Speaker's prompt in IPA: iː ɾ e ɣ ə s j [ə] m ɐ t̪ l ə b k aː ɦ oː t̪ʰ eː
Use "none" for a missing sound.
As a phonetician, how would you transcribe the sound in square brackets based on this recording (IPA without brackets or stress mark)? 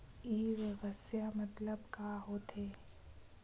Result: a